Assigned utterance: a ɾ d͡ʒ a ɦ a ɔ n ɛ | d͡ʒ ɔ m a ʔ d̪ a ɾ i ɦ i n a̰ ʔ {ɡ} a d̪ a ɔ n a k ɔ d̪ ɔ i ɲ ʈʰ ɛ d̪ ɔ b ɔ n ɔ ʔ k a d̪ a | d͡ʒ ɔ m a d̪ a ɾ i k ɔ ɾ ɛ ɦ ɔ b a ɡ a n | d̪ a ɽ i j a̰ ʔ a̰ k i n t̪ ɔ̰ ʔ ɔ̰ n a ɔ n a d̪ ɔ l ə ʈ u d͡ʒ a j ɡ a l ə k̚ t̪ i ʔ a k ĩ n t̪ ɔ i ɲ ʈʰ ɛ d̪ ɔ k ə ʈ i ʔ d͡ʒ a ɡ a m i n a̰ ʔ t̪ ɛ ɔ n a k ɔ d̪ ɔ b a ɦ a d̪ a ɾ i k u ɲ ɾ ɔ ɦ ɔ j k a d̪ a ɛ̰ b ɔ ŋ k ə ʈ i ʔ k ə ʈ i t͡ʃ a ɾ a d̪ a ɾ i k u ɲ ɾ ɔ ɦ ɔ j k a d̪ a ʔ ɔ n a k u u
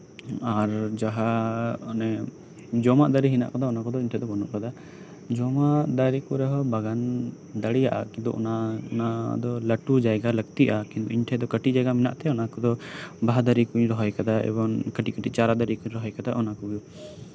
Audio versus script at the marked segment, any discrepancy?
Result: yes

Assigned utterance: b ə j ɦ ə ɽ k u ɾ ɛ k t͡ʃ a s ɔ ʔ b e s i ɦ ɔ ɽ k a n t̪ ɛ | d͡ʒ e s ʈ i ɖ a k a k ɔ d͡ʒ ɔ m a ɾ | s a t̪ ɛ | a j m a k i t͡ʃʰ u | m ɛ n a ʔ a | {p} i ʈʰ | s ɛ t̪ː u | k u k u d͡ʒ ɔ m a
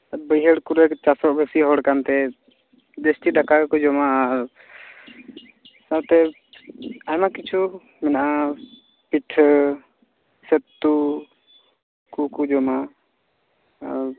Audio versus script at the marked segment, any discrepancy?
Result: no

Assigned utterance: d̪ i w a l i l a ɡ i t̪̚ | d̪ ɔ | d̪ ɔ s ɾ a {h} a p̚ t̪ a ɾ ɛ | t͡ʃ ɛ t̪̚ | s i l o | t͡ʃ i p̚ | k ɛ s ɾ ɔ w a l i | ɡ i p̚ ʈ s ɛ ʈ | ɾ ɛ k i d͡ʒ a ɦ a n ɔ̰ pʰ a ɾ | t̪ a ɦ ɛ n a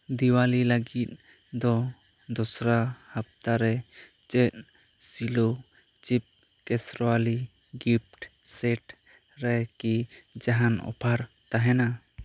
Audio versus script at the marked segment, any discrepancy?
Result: no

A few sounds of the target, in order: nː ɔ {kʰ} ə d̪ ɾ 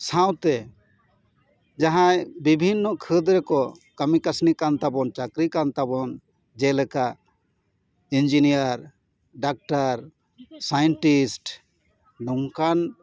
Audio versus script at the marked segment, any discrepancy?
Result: no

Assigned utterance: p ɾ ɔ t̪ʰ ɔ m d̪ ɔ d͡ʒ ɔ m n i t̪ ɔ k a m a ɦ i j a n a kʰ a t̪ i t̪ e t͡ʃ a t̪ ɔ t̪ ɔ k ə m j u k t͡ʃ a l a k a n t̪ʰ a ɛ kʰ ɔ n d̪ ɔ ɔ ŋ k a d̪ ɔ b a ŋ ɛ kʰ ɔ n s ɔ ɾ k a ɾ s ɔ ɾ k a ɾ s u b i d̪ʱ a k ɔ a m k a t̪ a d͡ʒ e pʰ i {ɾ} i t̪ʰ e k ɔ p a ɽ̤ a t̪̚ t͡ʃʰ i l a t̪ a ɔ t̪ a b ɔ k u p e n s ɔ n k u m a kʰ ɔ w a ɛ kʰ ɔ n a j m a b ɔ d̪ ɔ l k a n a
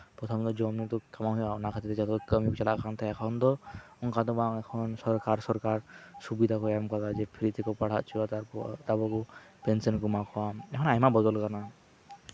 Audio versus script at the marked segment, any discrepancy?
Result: no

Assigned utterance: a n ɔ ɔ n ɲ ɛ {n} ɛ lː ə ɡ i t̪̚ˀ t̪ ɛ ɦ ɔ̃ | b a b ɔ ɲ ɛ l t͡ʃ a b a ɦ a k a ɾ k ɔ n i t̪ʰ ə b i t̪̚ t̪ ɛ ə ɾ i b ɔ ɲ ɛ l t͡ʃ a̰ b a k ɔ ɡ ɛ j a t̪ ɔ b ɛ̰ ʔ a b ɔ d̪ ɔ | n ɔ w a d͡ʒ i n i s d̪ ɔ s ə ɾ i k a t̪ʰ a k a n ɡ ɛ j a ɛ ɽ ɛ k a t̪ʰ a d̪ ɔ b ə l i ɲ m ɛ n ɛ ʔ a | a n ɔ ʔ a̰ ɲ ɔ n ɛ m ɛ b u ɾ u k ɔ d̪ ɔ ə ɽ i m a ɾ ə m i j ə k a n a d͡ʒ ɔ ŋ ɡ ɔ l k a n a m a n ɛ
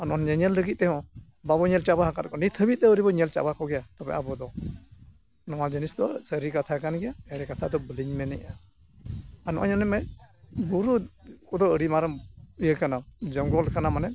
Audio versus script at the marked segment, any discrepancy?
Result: yes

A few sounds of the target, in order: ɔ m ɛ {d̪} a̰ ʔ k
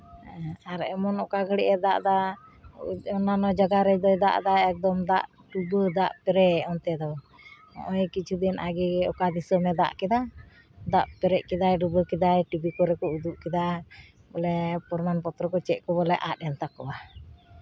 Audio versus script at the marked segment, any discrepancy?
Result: no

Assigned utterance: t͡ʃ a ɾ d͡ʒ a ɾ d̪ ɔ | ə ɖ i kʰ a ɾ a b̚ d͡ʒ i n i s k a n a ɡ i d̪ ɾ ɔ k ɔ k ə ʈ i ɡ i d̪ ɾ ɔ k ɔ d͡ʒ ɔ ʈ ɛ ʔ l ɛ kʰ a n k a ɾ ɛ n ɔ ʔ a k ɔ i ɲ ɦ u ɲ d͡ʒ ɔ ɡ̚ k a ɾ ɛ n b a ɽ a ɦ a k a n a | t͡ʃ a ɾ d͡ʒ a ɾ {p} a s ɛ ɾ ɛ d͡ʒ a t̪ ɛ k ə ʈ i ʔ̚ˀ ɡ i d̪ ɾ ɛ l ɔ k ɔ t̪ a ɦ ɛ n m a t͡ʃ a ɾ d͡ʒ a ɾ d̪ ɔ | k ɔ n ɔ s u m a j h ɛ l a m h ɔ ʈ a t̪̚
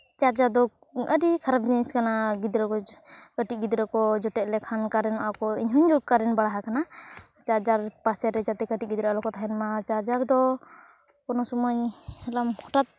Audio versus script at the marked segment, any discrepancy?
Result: no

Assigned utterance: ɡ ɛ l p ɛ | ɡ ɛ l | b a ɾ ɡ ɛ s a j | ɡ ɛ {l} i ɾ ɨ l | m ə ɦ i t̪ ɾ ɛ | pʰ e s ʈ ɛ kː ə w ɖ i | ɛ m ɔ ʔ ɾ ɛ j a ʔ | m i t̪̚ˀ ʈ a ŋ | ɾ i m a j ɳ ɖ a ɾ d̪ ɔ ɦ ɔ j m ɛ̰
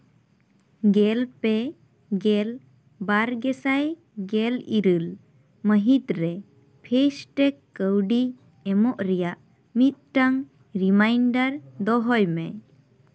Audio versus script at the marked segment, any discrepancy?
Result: no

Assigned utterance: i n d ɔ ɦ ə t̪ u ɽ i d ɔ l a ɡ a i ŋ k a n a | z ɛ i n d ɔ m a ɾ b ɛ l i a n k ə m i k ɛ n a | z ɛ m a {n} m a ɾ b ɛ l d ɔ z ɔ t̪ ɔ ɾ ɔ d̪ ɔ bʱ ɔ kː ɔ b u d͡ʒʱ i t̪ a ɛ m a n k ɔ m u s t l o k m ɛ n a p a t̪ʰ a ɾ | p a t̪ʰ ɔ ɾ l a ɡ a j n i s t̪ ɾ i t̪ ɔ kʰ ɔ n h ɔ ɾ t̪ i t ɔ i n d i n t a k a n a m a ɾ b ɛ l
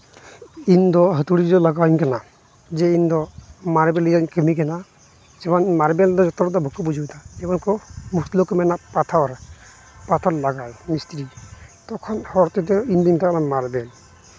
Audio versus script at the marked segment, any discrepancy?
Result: no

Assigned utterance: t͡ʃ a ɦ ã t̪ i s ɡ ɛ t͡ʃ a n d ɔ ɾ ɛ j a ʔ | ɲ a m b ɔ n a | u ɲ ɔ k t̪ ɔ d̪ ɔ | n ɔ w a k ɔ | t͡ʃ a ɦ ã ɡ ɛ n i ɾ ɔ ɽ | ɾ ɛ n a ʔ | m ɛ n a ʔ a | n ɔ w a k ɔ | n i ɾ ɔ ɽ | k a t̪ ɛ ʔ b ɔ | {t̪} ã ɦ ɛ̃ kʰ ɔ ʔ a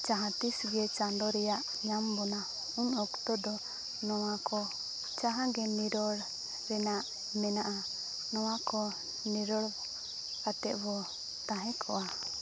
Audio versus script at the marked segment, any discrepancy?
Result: no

